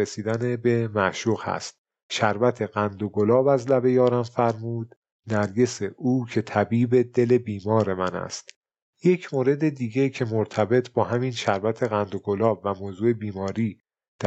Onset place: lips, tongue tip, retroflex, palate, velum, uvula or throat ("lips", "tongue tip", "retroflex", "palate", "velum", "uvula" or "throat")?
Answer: tongue tip